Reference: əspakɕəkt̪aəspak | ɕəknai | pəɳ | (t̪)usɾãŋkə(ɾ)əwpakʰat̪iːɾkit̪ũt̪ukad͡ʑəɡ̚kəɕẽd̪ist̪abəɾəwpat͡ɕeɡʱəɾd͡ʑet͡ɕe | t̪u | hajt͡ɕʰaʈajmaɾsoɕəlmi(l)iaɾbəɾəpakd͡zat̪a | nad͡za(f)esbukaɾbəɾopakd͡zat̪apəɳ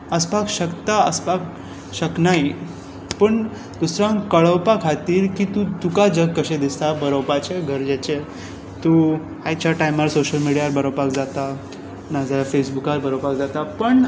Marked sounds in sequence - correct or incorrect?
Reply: incorrect, incorrect, incorrect, correct

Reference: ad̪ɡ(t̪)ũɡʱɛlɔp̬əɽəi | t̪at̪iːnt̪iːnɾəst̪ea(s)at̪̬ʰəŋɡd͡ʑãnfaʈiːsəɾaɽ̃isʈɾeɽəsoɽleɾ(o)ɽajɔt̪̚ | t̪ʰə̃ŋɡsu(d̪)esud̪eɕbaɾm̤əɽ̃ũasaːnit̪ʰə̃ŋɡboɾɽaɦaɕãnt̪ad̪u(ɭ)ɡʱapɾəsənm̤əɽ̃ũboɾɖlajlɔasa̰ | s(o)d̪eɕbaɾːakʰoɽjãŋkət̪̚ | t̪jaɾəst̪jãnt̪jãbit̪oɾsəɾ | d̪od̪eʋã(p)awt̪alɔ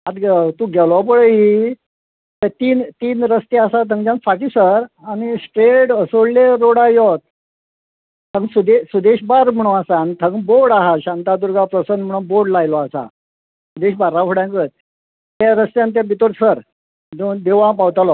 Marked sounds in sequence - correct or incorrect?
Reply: correct, correct, correct, correct, incorrect, incorrect, correct

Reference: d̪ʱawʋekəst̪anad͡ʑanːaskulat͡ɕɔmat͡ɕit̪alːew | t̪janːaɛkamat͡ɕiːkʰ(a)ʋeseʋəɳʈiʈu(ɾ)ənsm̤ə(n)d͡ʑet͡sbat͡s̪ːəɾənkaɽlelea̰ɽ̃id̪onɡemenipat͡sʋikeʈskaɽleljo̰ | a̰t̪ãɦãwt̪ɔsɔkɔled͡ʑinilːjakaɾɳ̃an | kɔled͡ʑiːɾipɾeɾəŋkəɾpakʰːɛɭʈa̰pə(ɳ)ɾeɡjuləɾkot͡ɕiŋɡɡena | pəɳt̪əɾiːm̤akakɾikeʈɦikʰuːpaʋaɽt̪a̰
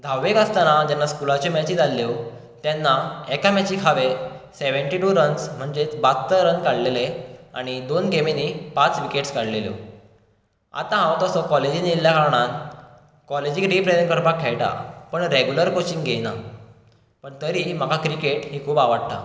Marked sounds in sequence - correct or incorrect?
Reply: correct, correct, incorrect, correct

